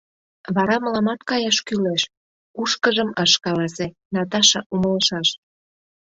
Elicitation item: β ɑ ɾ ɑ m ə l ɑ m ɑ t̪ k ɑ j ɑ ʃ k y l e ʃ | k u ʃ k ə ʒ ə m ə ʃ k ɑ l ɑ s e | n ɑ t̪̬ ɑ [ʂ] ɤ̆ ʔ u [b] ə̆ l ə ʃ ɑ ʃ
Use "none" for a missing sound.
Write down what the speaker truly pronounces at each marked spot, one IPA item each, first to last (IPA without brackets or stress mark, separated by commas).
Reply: ʃ, m